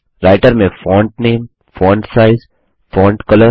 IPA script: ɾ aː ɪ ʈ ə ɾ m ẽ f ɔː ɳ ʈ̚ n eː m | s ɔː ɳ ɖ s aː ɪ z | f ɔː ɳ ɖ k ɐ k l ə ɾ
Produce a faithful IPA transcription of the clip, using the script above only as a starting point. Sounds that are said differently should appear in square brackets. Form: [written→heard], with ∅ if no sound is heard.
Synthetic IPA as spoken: ɾ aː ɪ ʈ ə ɾ m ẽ f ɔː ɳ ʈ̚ n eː m | [s→f] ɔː ɳ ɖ s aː ɪ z | f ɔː ɳ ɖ k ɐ [k→∅] l ə ɾ